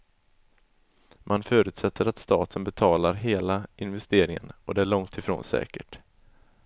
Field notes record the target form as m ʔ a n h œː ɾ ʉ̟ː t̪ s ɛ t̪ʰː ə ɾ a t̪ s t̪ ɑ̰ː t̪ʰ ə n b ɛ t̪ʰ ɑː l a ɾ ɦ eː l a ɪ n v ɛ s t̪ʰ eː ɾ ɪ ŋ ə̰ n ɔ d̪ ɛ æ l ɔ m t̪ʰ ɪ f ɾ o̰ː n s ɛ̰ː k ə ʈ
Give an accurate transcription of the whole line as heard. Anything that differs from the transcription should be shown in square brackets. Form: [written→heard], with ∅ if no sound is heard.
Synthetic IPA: m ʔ a n [h→f] œː ɾ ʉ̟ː t̪ s ɛ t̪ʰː ə ɾ a t̪ s t̪ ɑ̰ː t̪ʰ ə n b ɛ t̪ʰ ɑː l a ɾ ɦ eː l a ɪ n v ɛ s [t̪ʰ→t̪] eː ɾ ɪ ŋ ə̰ n ɔ d̪ ɛ æ [l→ɭ] ɔ [m→ŋ] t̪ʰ ɪ f ɾ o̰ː n s ɛ̰ː k ə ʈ